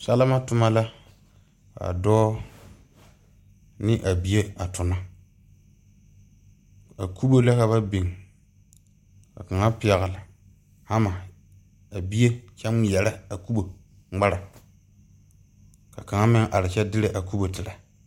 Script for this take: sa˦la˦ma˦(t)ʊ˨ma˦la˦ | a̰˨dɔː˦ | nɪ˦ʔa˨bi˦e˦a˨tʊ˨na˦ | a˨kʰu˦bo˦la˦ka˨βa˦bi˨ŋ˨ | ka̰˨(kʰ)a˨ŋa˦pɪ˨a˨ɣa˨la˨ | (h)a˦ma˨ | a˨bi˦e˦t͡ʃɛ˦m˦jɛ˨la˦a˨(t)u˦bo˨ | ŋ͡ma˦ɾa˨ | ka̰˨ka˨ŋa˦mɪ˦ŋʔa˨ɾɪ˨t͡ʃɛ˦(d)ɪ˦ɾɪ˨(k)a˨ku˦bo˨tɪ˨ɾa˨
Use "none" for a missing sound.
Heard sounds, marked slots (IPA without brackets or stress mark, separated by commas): t, k, h, k, d, ʔ